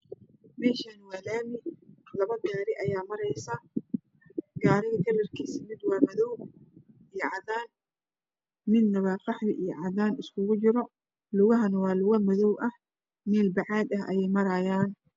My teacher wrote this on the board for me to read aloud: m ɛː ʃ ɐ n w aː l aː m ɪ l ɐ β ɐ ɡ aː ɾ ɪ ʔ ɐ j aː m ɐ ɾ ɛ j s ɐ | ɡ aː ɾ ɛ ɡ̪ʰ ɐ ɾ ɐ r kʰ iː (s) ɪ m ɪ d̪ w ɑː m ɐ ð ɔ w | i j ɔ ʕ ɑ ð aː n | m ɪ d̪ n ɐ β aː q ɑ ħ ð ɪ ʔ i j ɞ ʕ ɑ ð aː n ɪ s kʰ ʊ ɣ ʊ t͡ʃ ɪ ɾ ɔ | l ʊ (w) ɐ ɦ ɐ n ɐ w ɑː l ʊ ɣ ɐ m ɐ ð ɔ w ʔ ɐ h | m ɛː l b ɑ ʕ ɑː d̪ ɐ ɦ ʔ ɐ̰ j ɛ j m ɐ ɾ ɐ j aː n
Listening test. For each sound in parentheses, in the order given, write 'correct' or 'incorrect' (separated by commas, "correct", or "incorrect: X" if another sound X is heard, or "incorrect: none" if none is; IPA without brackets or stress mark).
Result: correct, incorrect: ɣ